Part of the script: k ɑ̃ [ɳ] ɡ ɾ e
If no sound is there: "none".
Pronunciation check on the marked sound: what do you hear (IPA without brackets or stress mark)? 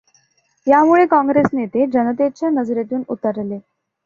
ŋ